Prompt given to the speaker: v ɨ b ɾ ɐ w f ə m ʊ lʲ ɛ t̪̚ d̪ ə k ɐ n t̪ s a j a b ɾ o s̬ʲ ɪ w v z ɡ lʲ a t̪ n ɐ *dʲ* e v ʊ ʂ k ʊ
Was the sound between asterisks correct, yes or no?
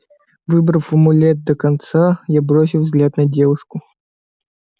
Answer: yes